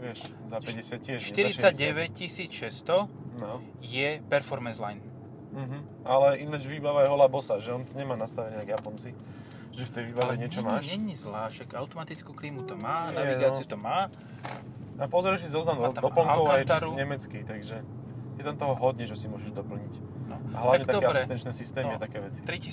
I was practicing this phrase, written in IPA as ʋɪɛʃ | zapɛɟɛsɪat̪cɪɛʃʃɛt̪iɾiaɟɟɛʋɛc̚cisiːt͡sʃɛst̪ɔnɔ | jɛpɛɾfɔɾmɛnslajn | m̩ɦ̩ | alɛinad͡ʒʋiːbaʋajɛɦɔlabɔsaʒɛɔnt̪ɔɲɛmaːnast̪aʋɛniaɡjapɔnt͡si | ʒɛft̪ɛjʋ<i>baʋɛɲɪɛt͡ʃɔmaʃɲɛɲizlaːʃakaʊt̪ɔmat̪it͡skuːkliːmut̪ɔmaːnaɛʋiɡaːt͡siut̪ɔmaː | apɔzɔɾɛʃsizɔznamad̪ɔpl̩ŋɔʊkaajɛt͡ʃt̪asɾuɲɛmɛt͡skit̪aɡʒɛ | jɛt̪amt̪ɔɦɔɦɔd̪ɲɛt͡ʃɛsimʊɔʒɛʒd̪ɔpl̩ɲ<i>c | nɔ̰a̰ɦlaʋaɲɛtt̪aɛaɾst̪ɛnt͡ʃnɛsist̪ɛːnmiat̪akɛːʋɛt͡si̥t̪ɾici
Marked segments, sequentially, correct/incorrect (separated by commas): incorrect, correct